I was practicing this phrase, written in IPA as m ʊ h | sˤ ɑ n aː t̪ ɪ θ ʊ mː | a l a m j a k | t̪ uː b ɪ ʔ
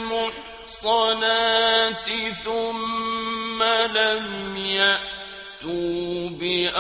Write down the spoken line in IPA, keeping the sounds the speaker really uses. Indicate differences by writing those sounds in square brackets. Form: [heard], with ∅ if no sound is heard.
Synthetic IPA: m ʊ [ħ] | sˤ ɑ n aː t̪ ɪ θ ʊ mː | a l a m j a [ʔ] | t̪ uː b ɪ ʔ